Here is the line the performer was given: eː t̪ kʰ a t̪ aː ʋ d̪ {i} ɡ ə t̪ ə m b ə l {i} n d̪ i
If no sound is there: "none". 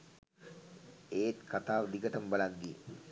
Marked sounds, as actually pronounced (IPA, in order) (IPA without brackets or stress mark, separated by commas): i, a